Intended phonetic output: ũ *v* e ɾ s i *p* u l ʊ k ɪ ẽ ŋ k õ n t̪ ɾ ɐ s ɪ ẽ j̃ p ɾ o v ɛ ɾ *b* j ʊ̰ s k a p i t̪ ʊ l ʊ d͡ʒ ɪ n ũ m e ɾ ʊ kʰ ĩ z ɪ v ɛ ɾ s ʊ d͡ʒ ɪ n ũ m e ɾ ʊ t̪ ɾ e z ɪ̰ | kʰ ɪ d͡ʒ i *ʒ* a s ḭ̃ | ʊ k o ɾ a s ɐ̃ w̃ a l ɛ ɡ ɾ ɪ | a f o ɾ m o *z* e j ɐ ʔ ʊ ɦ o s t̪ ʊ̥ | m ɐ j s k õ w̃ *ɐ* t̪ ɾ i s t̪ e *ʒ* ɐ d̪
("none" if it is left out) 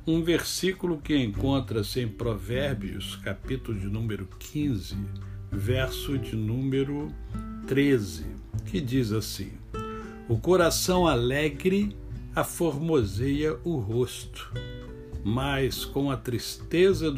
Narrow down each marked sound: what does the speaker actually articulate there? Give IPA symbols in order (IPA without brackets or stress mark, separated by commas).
v, k, b, z, z, ɐ, z